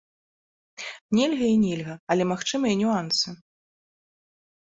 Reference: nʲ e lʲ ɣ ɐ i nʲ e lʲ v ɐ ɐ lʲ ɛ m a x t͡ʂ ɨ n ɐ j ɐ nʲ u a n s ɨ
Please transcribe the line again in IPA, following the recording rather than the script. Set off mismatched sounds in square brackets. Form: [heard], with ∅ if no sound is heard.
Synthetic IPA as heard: nʲ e lʲ ɣ ɐ i nʲ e lʲ [ɣ] ɐ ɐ lʲ ɛ m a x t͡ʂ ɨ [m] ɐ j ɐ nʲ u a n s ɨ